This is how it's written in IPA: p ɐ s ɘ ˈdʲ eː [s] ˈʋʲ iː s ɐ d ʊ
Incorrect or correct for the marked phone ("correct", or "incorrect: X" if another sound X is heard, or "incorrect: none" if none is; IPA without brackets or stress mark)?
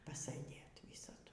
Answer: incorrect: t